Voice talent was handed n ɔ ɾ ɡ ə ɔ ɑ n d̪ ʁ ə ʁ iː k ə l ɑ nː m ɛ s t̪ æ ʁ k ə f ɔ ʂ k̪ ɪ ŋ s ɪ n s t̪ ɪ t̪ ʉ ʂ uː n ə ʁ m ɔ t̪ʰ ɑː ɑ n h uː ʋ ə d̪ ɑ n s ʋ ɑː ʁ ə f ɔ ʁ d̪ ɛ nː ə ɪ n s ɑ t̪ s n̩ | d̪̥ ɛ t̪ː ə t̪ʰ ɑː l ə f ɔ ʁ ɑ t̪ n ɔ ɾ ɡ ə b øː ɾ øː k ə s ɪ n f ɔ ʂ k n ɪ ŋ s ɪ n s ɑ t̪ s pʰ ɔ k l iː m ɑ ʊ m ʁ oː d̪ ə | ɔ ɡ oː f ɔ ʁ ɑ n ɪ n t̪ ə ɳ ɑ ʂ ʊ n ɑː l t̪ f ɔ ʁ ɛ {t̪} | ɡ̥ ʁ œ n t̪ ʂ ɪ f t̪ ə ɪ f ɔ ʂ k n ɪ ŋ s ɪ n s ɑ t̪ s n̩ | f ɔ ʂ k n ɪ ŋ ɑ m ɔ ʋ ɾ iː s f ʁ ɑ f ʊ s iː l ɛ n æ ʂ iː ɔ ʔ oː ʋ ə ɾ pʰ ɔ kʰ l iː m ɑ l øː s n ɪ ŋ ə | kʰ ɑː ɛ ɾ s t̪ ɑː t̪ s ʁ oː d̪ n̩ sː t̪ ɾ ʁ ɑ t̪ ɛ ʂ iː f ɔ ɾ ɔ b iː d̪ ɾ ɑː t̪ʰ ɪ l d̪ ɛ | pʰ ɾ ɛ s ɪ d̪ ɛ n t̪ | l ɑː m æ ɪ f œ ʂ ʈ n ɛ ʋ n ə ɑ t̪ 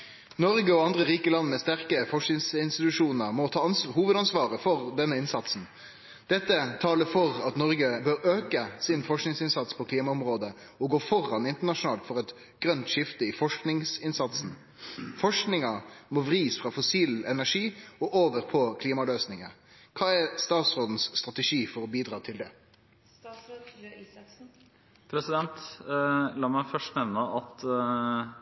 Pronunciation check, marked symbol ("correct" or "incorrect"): correct